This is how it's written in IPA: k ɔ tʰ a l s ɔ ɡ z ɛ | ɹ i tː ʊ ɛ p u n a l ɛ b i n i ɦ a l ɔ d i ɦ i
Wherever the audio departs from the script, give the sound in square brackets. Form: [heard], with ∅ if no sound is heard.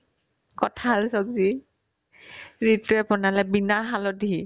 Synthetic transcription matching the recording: k ɔ tʰ a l s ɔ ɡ z [i] | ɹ i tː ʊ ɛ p [ɔ] n a l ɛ b i n [a] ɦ a l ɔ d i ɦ i